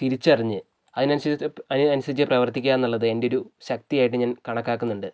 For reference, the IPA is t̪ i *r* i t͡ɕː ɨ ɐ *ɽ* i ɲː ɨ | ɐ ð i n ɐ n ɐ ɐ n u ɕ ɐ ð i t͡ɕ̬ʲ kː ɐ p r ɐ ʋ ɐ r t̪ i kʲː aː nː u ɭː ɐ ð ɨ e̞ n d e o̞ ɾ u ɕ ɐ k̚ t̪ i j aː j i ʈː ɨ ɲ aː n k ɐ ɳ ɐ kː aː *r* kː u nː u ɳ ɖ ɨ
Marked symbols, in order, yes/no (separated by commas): no, no, no